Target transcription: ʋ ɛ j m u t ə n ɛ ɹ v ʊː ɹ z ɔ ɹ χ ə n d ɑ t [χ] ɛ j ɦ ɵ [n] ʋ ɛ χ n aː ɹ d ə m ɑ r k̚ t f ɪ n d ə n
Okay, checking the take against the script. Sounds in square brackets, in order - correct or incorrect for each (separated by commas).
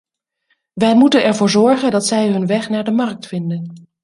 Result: incorrect, correct